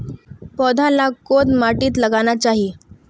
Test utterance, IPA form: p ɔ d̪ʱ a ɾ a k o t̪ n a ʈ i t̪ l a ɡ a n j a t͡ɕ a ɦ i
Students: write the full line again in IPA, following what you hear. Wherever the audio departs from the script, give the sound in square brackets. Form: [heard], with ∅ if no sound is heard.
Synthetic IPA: p ɔ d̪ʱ a [l] a k o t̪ [m] a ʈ [iː] t̪ l [ə] ɡ a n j a t͡ɕ a ɦ i